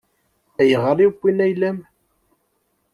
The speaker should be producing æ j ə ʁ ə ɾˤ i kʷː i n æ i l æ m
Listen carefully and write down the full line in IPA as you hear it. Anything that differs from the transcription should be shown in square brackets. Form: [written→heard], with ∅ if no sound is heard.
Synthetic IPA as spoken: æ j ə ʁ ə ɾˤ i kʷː i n æ [i→j] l æ m